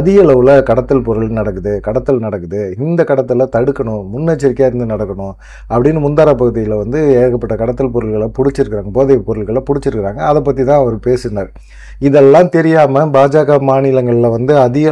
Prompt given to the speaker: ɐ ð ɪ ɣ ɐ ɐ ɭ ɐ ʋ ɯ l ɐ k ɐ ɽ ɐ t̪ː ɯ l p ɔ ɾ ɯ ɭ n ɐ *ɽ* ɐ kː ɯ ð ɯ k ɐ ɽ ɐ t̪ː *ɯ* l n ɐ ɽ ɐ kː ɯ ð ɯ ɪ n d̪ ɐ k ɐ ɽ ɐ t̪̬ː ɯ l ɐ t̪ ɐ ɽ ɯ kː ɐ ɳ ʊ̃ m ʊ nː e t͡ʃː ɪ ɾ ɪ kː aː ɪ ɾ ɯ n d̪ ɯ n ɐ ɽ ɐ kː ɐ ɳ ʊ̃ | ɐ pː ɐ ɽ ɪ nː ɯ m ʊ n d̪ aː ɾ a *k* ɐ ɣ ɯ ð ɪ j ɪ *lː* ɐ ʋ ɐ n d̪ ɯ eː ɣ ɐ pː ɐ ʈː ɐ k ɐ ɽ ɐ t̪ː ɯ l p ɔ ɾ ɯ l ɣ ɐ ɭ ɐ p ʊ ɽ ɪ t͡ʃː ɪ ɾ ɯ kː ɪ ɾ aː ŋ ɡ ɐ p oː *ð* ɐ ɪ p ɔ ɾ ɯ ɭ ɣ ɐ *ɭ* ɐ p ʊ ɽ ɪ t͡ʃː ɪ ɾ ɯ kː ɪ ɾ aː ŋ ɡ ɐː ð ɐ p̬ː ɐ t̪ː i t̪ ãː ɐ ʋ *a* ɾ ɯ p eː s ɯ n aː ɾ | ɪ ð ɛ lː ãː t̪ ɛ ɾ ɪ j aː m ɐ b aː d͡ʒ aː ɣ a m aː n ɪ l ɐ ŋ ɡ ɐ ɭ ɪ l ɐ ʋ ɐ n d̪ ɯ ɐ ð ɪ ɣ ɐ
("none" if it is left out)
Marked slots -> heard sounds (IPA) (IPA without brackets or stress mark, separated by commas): ɽ, ɯ, p, l, ð, ɭ, ɐ